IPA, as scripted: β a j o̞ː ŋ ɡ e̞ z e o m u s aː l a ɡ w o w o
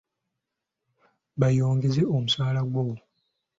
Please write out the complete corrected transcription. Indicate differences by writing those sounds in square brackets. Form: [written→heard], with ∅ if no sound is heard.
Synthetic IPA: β a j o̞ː ŋ ɡ e̞ z e o m u s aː l a ɡ w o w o